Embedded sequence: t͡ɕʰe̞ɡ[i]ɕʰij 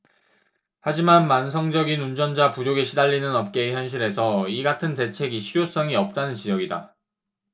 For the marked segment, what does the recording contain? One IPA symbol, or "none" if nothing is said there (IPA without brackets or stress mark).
i